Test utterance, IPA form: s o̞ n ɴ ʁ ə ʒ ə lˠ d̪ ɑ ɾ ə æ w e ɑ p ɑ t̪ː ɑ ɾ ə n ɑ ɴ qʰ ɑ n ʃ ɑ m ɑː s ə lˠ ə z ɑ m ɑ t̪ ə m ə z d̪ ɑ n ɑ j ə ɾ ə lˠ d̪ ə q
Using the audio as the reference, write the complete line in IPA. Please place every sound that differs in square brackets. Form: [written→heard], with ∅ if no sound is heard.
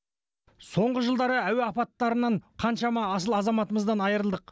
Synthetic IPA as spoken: s o̞ [n→∅] ɴ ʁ ə ʒ ə lˠ d̪ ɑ ɾ ə æ w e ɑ p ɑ t̪ː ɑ ɾ ə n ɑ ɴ qʰ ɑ n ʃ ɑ m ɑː s ə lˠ [ə→ɑ] z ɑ m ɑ t̪ ə m ə z d̪ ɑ n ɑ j ə ɾ ə lˠ d̪ ə q

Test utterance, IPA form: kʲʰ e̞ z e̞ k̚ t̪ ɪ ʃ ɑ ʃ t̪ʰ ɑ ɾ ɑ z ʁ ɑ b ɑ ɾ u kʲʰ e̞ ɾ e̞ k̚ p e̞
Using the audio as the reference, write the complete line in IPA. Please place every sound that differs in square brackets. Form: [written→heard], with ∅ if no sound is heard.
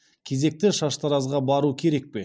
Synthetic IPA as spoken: kʲʰ e̞ z e̞ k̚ t̪ ɪ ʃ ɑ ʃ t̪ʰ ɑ ɾ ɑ z ʁ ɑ b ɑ ɾ u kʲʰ e̞ ɾ e̞ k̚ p e̞

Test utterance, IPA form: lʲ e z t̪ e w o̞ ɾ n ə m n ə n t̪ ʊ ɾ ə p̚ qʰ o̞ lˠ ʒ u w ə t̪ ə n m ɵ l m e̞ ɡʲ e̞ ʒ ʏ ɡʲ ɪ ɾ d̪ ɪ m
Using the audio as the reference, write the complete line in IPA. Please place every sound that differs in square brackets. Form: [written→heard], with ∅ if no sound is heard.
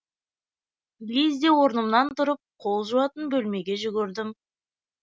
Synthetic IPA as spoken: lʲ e z [t̪→d̪] e w o̞ ɾ n ə m n [ə→ɑ] n t̪ ʊ ɾ ə p̚ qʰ o̞ lˠ ʒ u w [ə→ɑ] t̪ ə n [m→b] ɵ l m e̞ ɡʲ e̞ ʒ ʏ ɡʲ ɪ ɾ d̪ ɪ m

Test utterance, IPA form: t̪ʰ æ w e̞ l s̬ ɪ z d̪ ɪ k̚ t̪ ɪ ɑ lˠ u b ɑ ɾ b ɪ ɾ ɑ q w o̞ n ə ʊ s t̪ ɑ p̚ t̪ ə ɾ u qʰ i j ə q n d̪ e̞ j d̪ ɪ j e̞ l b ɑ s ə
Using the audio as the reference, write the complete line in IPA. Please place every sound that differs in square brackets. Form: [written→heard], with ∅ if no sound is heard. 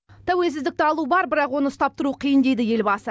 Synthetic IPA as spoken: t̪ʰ æ w e̞ l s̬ ɪ z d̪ ɪ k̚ t̪ ɪ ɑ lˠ u b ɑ ɾ b ɪ ɾ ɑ q w o̞ n ə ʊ s t̪ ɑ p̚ t̪ ə ɾ u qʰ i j ə [q→∅] n d̪ e̞ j d̪ ɪ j e̞ l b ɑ s ə

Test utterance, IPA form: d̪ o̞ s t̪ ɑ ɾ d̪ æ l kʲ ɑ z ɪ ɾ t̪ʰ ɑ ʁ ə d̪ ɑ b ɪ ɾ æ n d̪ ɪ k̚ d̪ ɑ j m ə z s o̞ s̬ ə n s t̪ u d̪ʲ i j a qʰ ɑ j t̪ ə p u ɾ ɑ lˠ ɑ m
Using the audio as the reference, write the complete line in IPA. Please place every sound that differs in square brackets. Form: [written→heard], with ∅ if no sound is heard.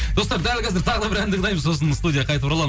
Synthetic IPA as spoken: d̪ o̞ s t̪ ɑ ɾ d̪ æ l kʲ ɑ z ɪ ɾ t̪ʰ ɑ ʁ ə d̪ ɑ b ɪ ɾ æ n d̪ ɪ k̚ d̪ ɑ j m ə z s o̞ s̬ ə n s t̪ u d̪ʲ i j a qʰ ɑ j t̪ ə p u ɾ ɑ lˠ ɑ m

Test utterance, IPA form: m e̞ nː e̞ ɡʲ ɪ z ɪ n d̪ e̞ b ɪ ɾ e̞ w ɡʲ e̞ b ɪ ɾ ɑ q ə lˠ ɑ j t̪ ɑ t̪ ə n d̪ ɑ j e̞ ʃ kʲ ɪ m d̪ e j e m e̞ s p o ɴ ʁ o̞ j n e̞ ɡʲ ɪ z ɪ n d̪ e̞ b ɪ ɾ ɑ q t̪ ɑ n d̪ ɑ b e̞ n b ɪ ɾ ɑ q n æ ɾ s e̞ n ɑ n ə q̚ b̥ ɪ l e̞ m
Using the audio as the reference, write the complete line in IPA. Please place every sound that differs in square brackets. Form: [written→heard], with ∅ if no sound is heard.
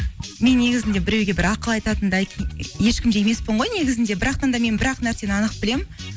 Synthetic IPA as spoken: m e̞ nː e̞ ɡʲ ɪ z ɪ n d̪ e̞ b ɪ ɾ e̞ w ɡʲ e̞ b ɪ ɾ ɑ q ə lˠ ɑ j t̪ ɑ t̪ ə n d̪ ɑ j e̞ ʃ kʲ ɪ m d̪ e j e m e̞ s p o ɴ ʁ o̞ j n e̞ ɡʲ ɪ z ɪ n d̪ e̞ b ɪ ɾ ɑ q t̪ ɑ n d̪ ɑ [b→m] e̞ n b ɪ ɾ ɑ q n æ ɾ s e̞ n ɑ n ə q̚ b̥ ɪ l e̞ m

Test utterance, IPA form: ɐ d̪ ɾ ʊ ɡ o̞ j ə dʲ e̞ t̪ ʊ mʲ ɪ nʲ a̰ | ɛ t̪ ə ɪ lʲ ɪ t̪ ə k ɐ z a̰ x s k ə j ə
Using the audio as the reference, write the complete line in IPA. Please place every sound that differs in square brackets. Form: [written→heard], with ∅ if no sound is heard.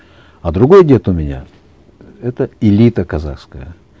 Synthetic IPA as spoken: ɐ d̪ ɾ ʊ ɡ o̞ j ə dʲ e̞ t̪ ʊ mʲ ɪ nʲ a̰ | ɛ t̪ ə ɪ lʲ [ɪ→i] t̪ ə k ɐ z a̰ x s k ə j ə

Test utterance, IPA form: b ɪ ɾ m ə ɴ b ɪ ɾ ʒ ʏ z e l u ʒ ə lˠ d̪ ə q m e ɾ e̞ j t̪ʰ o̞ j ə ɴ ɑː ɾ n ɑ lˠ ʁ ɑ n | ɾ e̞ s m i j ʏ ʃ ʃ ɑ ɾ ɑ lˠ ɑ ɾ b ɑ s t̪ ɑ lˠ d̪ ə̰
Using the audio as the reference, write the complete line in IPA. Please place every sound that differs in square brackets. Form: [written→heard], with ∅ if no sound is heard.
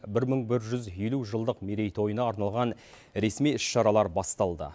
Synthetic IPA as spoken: b ɪ ɾ m ə ɴ b ɪ ɾ ʒ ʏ z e l u ʒ ə lˠ d̪ ə q m e ɾ e̞ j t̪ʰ o̞ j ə [ɴ→n] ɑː ɾ n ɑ lˠ ʁ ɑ n | ɾ e̞ s m i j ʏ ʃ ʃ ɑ ɾ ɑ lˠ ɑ ɾ b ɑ s t̪ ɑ lˠ d̪ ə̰

